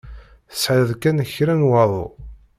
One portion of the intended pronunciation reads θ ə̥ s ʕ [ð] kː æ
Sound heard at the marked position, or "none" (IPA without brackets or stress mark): ð